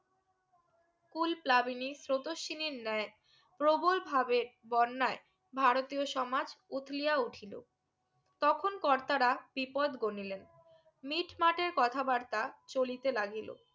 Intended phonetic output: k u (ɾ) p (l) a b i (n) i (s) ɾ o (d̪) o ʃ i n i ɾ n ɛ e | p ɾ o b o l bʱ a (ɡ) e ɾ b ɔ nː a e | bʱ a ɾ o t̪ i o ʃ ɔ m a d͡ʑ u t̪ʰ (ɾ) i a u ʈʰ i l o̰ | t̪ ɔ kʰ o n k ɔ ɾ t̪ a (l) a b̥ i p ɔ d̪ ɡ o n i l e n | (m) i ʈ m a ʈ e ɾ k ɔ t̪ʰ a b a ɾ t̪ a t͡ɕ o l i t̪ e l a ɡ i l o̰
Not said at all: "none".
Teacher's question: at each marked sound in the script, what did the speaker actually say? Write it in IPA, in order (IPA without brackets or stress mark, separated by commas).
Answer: l, l, n, s, t̪, b, l, ɾ, m